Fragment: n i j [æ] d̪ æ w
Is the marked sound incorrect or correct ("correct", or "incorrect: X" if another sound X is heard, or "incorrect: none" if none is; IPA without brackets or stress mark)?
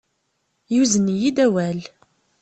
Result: incorrect: i